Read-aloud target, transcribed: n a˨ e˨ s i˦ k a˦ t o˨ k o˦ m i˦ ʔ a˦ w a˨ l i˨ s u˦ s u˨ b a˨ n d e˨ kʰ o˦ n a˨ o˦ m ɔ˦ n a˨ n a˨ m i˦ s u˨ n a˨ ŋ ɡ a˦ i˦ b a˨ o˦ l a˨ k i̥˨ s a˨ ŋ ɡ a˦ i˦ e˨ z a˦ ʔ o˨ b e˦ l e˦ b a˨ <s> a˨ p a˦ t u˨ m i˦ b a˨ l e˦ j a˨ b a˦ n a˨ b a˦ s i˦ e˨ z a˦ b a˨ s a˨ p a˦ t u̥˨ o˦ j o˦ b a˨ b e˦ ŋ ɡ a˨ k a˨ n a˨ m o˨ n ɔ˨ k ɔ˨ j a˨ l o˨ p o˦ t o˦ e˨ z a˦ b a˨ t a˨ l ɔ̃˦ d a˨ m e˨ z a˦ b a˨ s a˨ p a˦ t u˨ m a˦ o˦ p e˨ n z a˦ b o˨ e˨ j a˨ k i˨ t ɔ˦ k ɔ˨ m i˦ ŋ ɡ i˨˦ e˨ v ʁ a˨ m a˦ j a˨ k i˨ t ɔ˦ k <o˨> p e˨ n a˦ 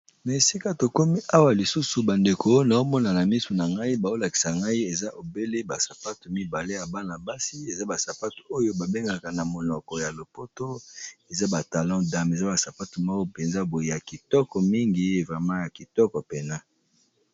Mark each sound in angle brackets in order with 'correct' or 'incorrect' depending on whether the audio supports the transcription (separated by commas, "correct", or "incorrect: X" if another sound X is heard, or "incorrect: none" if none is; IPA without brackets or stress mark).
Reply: correct, incorrect: ɔ˨